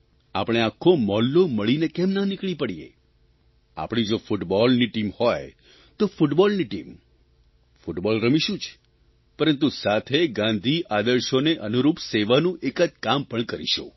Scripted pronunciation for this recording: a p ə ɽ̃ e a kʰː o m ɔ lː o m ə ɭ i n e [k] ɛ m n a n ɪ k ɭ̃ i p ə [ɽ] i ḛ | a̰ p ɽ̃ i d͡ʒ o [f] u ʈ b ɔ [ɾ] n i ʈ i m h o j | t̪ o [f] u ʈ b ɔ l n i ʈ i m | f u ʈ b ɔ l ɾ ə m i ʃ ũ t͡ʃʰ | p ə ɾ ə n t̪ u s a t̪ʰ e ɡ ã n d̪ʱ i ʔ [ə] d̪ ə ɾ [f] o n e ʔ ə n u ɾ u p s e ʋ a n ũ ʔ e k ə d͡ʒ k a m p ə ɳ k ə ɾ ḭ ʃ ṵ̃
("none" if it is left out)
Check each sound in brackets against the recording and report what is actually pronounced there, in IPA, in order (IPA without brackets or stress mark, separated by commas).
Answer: k, ɽ, f, l, f, a, ʃ